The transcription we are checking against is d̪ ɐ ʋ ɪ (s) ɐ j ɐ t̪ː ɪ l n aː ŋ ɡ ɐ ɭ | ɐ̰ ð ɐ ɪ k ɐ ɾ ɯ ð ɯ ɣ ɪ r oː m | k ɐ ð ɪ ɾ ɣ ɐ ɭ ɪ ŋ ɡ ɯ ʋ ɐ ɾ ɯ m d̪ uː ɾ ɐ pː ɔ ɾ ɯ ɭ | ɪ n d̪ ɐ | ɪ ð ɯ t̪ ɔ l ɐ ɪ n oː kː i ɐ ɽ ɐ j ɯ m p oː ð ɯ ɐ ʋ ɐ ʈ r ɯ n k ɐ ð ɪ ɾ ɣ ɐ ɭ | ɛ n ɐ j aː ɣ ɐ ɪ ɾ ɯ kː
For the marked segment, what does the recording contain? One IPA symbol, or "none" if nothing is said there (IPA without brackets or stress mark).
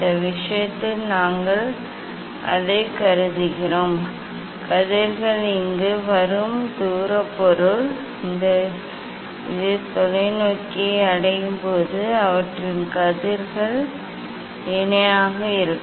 ʂ